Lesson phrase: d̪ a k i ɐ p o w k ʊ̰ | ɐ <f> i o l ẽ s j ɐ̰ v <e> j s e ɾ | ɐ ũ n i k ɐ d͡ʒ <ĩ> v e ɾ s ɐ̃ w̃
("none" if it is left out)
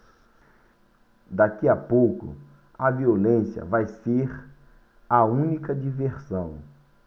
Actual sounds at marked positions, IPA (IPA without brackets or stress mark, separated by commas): v, a, i